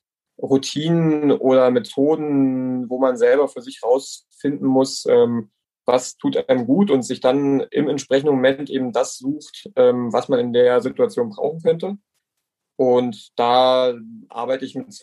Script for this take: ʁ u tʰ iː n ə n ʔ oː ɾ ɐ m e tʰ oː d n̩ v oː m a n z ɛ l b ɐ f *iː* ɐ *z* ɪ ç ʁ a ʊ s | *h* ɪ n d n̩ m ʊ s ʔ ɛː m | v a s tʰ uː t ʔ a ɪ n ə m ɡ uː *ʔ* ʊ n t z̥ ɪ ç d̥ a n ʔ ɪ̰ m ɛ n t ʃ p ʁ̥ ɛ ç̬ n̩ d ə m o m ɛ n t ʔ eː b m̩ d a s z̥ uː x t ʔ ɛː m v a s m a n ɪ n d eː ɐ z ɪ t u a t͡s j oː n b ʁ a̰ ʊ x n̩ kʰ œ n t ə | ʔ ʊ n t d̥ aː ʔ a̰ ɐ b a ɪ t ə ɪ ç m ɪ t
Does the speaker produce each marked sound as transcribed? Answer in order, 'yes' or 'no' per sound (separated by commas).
no, yes, no, no